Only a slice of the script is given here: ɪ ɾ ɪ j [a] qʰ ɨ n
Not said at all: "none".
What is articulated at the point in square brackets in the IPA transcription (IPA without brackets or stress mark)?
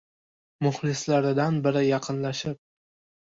ɑ